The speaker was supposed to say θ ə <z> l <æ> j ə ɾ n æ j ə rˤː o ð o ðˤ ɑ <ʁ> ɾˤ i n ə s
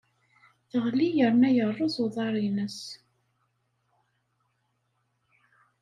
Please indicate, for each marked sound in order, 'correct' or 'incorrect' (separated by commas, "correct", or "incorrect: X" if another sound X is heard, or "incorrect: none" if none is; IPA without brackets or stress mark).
incorrect: ʁ, incorrect: i, incorrect: none